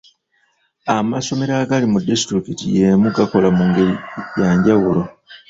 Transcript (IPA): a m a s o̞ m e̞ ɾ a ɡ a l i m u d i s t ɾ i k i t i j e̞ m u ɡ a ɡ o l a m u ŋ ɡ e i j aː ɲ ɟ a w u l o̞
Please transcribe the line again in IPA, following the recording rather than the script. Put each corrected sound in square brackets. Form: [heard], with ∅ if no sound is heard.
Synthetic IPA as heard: a m a s o̞ m e̞ ɾ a ɡ a l i m u d i s t ɾ i k i t i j e̞ m u ɡ a [k] o l a m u ŋ ɡ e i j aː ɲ ɟ a w u l o̞